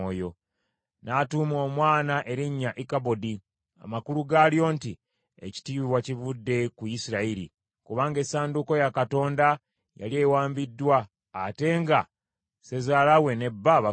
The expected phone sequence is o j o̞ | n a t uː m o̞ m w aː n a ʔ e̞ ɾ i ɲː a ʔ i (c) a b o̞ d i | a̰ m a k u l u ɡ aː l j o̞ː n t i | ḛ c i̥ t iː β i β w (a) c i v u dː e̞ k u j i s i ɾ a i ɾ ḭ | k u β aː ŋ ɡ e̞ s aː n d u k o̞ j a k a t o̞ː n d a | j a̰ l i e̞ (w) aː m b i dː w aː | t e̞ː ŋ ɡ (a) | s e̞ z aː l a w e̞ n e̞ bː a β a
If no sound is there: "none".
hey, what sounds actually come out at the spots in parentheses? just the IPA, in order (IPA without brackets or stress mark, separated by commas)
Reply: k, a, w, a